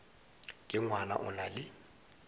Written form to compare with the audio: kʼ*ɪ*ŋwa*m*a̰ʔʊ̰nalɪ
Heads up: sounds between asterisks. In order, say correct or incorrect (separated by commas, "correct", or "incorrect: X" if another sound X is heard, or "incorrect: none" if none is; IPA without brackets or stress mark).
correct, incorrect: n